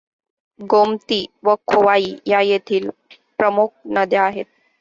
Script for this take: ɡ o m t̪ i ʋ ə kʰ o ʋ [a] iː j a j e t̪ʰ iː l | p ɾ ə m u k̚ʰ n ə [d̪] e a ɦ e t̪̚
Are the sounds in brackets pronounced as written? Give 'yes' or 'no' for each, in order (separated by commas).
yes, yes